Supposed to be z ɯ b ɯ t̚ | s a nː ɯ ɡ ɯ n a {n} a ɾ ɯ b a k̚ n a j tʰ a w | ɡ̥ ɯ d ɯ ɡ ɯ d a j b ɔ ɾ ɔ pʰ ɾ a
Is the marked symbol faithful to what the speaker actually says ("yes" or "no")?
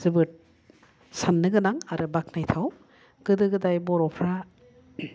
no